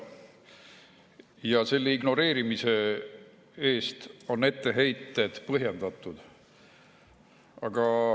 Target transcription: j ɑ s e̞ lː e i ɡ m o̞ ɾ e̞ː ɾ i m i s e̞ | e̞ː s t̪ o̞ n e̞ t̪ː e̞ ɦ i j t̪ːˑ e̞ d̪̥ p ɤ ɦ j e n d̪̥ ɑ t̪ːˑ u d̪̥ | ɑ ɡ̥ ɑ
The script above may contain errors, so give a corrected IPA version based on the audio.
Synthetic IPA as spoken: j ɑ s e̞ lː e i ɡ n o̞ ɾ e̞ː ɾ i m i s e̞ | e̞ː s t̪ o̞ n e̞ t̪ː e̞ ɦ e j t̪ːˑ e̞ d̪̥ p ɤ ɦ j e n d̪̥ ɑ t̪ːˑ u d̪̥ | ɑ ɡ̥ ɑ